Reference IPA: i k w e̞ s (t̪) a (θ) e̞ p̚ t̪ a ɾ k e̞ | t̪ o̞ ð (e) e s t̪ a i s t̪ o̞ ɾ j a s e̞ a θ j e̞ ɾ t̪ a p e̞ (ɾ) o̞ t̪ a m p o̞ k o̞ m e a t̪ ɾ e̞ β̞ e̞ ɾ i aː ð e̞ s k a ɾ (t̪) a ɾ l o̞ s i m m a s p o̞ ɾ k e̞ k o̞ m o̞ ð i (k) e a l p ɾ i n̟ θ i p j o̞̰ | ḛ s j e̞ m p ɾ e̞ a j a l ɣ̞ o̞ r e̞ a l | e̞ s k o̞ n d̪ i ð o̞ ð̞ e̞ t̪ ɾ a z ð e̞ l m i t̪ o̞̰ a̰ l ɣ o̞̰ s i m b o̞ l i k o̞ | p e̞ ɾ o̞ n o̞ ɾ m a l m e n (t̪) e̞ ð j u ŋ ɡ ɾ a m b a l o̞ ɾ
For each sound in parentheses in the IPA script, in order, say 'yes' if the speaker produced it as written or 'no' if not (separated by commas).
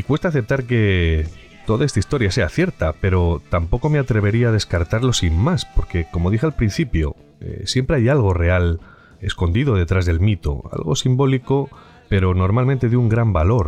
yes, yes, no, yes, yes, no, yes